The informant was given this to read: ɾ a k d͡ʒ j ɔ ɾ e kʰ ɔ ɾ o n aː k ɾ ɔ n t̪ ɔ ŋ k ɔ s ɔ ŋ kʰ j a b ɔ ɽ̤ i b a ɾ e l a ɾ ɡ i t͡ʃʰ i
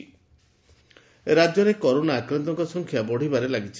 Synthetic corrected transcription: ɾ a d͡ʒ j ɔ ɾ e k ɔ ɾ o n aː k ɾ ɔ n t̪ ɔ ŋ k ɔ s ɔ ŋ kʰ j a b ɔ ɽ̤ i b a ɾ e l a ɡ i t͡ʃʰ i